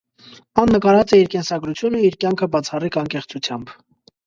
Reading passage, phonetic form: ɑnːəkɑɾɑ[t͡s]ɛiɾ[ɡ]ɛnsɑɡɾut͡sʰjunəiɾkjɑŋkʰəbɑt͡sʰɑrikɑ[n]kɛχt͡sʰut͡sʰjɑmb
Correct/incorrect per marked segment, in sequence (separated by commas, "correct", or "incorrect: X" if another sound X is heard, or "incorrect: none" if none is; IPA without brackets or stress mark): correct, incorrect: k, incorrect: ŋ